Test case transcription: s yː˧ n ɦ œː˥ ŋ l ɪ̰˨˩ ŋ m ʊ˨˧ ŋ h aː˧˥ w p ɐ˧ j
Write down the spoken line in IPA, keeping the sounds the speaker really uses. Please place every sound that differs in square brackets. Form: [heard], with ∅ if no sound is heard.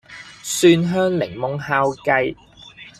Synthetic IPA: s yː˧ n ɦ œː˥ ŋ l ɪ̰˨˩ ŋ m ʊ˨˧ ŋ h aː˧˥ w [k] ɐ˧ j